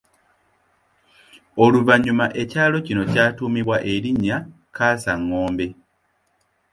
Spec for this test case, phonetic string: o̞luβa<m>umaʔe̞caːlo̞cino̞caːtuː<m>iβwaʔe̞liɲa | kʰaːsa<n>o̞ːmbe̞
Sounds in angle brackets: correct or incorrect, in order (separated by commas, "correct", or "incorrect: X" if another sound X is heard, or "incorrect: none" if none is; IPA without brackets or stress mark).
incorrect: ɲ, correct, incorrect: ŋ